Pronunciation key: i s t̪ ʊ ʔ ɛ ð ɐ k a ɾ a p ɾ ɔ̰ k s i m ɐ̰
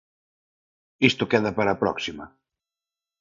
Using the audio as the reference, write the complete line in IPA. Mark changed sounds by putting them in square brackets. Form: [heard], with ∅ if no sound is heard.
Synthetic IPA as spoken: i s t̪ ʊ [k] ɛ ð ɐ [p] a ɾ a p ɾ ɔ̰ k s i m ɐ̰